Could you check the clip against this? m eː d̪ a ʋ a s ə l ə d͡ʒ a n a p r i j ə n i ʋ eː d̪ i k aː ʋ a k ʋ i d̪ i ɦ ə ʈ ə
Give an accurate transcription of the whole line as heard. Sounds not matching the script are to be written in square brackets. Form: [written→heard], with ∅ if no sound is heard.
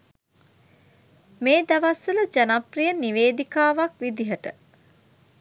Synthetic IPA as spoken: m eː d̪ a ʋ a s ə l ə d͡ʒ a n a p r i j ə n i ʋ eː d̪ i k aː ʋ a k ʋ i d̪ i ɦ ə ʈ ə